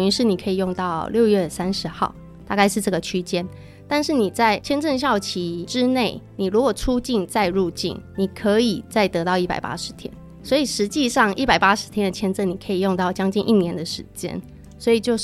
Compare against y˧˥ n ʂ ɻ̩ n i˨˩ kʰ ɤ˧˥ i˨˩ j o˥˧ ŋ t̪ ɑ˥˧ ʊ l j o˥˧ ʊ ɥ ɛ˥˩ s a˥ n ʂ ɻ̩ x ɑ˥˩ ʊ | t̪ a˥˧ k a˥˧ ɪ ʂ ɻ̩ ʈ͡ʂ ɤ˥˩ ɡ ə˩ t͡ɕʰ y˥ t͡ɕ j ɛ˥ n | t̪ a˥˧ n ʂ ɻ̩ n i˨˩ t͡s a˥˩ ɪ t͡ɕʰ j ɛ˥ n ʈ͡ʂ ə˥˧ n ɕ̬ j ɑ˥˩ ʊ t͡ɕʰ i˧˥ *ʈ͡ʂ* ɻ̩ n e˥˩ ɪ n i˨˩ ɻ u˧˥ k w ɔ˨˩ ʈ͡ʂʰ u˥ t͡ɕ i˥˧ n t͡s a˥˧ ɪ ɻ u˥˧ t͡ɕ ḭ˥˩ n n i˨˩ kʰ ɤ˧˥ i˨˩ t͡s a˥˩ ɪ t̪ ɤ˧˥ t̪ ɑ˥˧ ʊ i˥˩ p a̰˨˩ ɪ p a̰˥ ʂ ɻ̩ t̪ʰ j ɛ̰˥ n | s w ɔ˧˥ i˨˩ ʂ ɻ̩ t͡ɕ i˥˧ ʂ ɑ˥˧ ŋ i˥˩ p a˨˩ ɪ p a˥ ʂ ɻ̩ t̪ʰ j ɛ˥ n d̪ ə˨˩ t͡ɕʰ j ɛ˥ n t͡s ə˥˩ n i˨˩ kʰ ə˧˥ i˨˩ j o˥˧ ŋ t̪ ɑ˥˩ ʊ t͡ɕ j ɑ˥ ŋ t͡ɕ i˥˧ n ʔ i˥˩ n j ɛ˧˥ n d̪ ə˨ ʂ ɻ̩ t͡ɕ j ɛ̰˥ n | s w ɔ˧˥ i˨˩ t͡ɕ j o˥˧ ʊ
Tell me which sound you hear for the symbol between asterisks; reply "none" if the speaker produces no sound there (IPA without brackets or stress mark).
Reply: ʈ͡ʂ